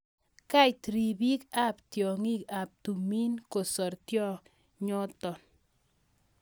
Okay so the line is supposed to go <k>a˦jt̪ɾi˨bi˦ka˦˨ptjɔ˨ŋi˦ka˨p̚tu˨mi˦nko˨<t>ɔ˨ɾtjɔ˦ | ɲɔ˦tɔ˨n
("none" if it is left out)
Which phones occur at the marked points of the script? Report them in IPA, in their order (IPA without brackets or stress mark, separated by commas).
k, s